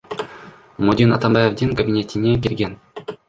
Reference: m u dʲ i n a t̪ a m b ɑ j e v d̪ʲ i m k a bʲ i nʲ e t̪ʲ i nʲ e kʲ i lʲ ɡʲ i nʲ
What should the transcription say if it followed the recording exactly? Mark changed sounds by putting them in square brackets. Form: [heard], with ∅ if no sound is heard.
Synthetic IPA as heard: m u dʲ i n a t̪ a m b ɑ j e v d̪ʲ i [ŋ] k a bʲ i nʲ e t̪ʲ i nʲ e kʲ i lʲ ɡʲ [e] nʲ